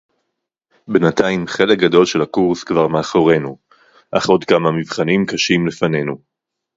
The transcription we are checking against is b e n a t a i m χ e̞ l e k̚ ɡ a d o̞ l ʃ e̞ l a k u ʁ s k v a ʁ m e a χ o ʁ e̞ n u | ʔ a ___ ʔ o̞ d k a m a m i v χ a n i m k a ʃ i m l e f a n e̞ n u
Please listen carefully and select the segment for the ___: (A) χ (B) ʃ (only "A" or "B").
A